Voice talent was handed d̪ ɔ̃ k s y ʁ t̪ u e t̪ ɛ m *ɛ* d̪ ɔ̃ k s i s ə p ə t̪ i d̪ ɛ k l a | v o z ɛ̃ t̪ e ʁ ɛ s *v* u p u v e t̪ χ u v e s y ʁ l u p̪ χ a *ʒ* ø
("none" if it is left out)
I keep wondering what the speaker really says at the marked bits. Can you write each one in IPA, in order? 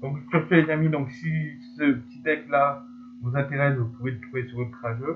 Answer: i, v, ʒ

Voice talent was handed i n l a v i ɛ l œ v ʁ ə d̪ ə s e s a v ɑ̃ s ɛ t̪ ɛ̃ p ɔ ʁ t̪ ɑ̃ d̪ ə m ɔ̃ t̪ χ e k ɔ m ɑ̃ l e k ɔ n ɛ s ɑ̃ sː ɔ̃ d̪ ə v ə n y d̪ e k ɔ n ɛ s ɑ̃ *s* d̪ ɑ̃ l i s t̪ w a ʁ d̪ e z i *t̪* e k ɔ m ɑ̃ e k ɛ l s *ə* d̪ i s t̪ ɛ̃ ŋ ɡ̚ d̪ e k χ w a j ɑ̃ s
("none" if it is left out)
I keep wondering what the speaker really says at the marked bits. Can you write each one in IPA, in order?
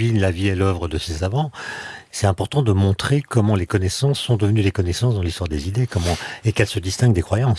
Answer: s, d̪, ə

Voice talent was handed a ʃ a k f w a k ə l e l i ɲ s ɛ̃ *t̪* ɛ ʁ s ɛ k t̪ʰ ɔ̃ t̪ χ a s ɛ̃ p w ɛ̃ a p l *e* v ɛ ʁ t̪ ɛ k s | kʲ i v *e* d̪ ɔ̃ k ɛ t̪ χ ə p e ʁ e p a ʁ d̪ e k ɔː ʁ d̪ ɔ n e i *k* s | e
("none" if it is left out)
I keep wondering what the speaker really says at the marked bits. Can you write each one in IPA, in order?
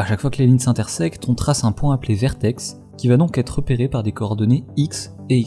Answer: t̪, e, a, k

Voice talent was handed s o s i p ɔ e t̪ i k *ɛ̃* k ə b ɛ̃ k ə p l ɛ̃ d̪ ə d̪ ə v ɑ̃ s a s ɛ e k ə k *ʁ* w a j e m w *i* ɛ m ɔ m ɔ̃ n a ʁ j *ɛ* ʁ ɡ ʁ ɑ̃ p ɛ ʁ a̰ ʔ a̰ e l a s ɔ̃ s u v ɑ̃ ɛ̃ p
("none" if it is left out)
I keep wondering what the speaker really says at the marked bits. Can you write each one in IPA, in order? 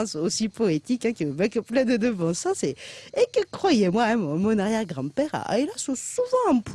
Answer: ɛ̃, χ, a, ɛ

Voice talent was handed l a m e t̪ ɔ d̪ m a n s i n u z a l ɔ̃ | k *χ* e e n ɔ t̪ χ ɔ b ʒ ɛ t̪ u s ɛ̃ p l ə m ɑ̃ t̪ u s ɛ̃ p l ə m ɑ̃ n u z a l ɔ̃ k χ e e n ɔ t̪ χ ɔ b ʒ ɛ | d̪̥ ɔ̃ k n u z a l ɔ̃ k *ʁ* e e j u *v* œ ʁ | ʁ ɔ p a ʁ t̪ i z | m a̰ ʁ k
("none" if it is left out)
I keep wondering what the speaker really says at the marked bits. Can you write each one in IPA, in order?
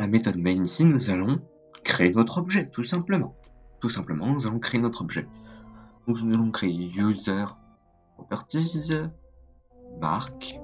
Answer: χ, χ, z

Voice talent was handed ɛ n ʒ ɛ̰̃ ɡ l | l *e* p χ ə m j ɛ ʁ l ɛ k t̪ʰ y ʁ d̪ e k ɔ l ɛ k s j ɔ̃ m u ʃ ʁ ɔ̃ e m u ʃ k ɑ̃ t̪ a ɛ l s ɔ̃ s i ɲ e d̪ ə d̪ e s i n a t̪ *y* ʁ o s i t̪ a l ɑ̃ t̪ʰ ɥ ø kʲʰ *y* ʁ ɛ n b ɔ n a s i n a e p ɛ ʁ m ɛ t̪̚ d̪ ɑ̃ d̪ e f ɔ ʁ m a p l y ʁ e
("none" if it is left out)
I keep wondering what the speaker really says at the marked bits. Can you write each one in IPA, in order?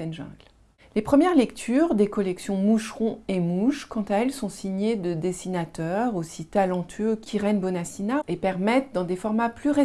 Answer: e, œ, i

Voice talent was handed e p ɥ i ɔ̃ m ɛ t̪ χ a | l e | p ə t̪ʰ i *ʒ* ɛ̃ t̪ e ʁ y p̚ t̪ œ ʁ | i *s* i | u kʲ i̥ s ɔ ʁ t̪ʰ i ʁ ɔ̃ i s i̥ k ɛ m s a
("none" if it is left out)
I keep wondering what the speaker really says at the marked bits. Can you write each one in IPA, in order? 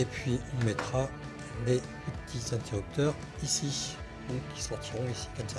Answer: z, s

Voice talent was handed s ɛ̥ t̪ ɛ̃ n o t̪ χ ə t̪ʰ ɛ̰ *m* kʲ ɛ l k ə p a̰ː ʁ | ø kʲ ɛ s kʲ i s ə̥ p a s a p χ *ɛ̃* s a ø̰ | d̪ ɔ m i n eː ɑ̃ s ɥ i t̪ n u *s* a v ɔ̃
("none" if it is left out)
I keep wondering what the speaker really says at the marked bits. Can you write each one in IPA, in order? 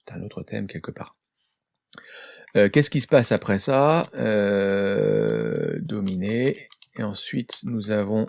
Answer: m, ɛ, z

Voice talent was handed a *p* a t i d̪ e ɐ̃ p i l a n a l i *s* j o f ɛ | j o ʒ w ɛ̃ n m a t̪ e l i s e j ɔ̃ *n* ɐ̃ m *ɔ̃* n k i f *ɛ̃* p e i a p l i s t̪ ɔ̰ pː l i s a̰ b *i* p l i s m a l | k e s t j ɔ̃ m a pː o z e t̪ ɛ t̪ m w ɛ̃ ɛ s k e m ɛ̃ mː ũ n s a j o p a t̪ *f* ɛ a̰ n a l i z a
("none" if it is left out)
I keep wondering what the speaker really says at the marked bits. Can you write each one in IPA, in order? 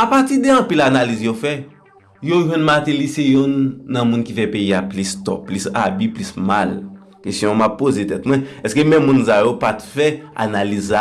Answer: p, z, nː, ũ, ɛ, i, f

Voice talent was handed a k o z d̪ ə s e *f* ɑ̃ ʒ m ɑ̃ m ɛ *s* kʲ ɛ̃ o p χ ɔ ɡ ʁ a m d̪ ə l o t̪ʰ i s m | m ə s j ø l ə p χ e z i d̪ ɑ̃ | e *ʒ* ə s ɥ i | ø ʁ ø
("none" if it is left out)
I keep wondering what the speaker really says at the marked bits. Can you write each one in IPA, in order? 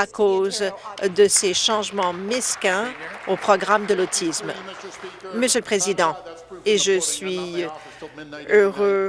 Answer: ʃ, s, ʒ

